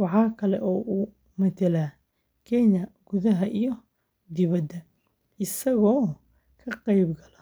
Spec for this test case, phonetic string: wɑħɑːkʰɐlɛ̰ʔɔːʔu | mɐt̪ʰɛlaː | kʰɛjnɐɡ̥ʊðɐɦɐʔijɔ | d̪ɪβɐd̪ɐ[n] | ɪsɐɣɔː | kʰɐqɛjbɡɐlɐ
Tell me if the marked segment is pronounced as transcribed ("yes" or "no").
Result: no